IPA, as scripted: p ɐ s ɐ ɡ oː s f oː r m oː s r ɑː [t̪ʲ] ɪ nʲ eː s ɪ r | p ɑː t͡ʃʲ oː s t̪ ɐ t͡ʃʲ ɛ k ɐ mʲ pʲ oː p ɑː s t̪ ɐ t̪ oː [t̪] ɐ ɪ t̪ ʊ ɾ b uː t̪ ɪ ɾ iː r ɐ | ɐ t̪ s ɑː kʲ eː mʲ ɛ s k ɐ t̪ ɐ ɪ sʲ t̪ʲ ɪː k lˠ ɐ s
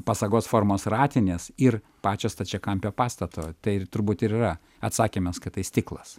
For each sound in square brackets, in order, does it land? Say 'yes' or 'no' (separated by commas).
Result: yes, yes